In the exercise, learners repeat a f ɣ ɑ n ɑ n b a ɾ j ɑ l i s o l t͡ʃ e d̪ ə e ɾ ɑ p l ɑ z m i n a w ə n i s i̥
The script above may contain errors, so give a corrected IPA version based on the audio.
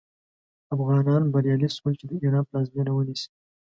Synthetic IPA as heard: a f ɣ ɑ n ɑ n b a ɾ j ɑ l i s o l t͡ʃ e d̪ ə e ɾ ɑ p l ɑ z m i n a w ə n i s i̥